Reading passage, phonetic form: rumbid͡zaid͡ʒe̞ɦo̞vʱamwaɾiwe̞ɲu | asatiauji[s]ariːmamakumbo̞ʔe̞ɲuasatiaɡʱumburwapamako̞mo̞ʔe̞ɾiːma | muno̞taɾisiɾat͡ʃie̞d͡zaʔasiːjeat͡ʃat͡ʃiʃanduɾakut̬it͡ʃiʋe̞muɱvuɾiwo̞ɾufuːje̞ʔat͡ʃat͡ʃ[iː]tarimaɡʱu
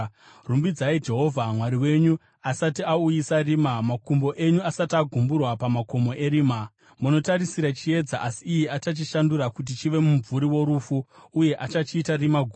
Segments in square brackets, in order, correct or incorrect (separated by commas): correct, correct